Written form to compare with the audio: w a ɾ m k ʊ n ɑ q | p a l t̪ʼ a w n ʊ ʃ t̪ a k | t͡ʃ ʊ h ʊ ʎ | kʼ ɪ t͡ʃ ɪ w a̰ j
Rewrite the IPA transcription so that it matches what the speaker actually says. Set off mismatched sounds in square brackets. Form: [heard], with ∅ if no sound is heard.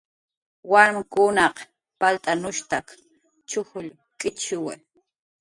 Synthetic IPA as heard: w a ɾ m k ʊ n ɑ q | p a l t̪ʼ a [∅] n ʊ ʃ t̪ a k | t͡ʃ ʊ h ʊ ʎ | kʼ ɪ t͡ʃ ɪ w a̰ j